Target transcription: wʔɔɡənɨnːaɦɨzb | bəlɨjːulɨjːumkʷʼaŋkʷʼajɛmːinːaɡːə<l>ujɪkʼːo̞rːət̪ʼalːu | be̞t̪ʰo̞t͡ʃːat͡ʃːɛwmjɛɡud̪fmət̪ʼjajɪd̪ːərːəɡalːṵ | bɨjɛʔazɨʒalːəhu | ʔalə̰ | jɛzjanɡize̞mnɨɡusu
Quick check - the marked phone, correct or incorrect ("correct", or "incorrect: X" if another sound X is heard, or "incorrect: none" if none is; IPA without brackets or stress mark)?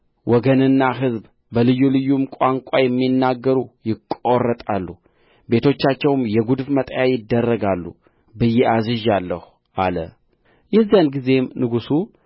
incorrect: ɾ